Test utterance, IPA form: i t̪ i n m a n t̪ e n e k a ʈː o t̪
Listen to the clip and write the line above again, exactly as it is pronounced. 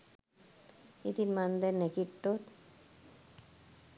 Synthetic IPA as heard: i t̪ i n m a n d̪ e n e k i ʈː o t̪